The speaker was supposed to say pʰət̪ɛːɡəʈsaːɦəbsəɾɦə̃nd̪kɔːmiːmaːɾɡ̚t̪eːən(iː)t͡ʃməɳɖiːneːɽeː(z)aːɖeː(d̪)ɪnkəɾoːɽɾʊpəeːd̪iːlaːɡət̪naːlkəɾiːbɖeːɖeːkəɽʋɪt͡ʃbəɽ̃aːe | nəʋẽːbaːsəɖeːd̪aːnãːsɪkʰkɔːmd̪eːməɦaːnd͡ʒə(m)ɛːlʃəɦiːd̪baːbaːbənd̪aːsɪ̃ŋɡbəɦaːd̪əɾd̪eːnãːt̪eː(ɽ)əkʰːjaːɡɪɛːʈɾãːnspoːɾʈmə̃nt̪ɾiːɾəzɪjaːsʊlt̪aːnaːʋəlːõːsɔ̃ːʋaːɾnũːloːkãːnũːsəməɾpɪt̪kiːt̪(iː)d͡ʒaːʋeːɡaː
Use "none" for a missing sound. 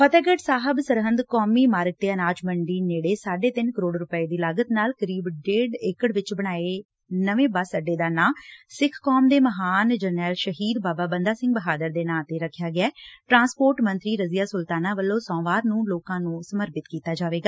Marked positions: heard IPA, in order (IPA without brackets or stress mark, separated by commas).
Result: aː, s, t̪, n, ɾ, aː